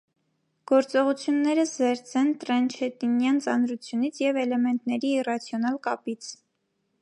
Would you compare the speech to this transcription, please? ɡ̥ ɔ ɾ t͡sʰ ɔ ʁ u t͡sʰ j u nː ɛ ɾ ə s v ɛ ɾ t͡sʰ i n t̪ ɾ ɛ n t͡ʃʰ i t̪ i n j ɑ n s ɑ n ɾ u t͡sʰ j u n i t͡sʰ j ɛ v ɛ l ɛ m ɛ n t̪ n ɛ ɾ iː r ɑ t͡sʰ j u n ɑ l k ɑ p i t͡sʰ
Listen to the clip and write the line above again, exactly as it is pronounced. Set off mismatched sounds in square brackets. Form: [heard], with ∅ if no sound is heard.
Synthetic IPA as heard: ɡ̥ ɔ ɾ [t͡s] ɔ ʁ u t͡sʰ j u nː ɛ ɾ ə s [z] ɛ ɾ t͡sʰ [ɛ] n t̪ ɾ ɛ n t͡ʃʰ [ɛ] t̪ i n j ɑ n [t͡s] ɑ n ɾ u t͡sʰ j u n i t͡sʰ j ɛ v ɛ l ɛ m ɛ n t̪ n ɛ ɾ iː r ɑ t͡sʰ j [ɔ] n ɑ l k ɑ p i t͡sʰ